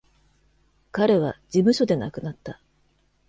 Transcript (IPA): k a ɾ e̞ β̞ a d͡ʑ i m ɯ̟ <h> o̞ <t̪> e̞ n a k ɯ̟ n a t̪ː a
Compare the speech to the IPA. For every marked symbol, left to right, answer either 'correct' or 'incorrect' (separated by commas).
incorrect, incorrect